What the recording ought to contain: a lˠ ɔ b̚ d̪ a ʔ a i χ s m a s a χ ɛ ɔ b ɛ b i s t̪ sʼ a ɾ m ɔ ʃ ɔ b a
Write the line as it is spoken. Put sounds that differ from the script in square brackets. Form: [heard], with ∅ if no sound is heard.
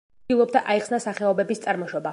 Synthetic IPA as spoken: [i] lˠ ɔ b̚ d̪ a ʔ a i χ s [n] a s a χ ɛ ɔ b ɛ b i s t̪ sʼ a ɾ m ɔ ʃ ɔ b a